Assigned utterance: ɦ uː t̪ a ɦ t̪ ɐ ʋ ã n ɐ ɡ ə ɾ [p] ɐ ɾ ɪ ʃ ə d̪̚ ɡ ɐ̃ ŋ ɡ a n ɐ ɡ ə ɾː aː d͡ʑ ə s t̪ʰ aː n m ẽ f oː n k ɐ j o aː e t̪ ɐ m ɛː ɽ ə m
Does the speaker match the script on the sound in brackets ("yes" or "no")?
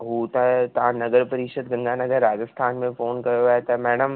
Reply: yes